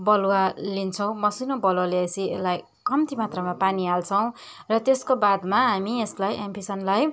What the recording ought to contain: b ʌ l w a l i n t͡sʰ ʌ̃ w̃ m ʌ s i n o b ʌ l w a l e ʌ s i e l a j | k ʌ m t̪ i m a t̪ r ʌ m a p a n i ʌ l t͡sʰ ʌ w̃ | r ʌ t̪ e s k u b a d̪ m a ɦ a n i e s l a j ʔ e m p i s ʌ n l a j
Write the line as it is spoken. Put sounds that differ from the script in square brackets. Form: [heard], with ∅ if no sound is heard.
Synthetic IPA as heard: b ʌ l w a l i n t͡sʰ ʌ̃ w̃ m ʌ s i n o b ʌ l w a l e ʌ s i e l a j | k ʌ m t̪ i m a t̪ r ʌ m a p a n i [a] l t͡sʰ ʌ w̃ | r ʌ t̪ e s k [o] b a d̪ m a ɦ a [m] i e s l a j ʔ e m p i s ʌ n l a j

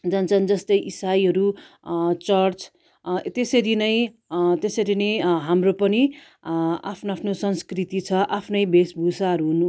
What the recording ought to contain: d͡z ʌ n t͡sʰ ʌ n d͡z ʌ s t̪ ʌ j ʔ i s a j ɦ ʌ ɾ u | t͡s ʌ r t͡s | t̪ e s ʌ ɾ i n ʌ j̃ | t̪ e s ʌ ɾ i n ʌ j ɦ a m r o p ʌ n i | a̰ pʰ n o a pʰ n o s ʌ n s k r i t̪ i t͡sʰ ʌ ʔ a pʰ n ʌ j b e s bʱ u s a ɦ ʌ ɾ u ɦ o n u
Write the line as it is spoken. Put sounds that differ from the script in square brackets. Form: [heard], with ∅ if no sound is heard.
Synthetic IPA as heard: d͡z ʌ n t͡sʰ ʌ n d͡z ʌ s t̪ ʌ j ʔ i s a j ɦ ʌ ɾ u | t͡s ʌ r t͡s | t̪ e s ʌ ɾ i n ʌ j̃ | t̪ e s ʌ ɾ i n ʌ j ɦ a m r o p ʌ n i | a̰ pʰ n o a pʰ n o s ʌ n s k r i t̪ i t͡sʰ ʌ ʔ a pʰ n ʌ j b e s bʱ u s a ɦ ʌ ɾ u ɦ [u] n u

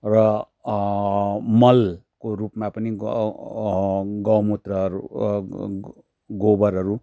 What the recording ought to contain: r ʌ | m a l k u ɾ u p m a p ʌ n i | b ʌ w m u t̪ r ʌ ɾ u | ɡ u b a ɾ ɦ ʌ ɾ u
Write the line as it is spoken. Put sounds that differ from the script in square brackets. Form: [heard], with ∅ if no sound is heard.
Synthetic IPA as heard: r ʌ | m [ʌ] l k [o] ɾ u p m a p ʌ n i | [ɡ] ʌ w m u t̪ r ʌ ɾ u | ɡ [o] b [ʌ] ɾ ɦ ʌ ɾ u

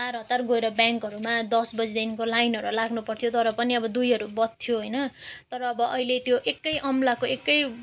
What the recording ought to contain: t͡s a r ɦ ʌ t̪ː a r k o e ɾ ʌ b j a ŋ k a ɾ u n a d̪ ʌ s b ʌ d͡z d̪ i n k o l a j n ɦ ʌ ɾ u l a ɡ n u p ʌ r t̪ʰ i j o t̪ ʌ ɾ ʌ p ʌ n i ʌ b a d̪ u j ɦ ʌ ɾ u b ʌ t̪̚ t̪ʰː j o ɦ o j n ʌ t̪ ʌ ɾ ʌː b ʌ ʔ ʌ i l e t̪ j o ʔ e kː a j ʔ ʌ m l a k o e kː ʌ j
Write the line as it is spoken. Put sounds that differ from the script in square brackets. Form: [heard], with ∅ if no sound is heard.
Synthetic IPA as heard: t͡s a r ɦ ʌ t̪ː a r [ɡ] o e ɾ ʌ b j a ŋ k [ʌ] ɾ u [m] a d̪ ʌ s b ʌ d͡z d̪ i n k o l a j n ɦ ʌ ɾ u l a ɡ n u p ʌ r t̪ʰ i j o t̪ ʌ ɾ ʌ p ʌ n i ʌ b [ʌ] d̪ u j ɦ ʌ ɾ u b ʌ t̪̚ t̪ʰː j o ɦ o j n ʌ t̪ ʌ ɾ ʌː b ʌ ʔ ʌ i l e t̪ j o ʔ e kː [ʌ] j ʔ ʌ m l a k o e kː ʌ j

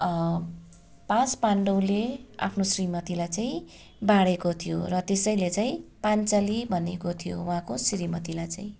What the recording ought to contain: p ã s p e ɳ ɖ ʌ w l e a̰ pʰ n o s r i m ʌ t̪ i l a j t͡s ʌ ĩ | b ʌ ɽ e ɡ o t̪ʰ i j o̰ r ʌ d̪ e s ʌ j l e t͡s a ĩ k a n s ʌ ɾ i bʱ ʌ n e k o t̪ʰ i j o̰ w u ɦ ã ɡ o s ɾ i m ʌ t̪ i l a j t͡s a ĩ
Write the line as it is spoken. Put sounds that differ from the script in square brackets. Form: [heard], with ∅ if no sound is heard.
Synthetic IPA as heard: p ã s p [a] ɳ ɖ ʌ w l e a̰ pʰ n o s r i m ʌ t̪ i l a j t͡s [a] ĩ | b [a] ɽ e [k] o t̪ʰ i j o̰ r ʌ [t̪] e s ʌ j l e t͡s a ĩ [p] a n [t͡s] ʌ [l] i bʱ ʌ n e k o t̪ʰ i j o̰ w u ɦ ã [k] o s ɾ i m ʌ t̪ i l a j t͡s a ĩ

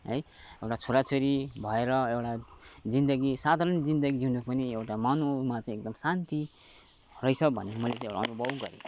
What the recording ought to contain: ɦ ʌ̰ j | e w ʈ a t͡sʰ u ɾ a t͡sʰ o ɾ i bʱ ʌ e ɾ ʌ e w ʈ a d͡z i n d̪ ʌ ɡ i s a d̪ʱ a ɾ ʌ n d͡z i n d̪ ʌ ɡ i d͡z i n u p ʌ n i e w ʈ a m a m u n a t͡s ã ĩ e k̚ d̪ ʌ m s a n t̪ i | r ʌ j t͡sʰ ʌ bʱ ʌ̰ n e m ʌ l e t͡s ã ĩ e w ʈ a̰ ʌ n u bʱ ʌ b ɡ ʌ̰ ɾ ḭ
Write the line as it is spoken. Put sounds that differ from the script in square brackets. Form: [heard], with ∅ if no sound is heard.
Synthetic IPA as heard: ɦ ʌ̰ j | e w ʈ a t͡sʰ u ɾ a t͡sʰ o ɾ i bʱ ʌ e ɾ ʌ e w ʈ a d͡z i n d̪ ʌ ɡ i s a d̪ʱ a ɾ ʌ n d͡z i n d̪ ʌ ɡ i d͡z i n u p ʌ n i e w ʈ a m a [n] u [m] a t͡s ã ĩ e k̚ d̪ ʌ m s a n t̪ i | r ʌ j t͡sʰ ʌ bʱ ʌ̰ n e m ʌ l e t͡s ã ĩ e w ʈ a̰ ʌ n u bʱ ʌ b ɡ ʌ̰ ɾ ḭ

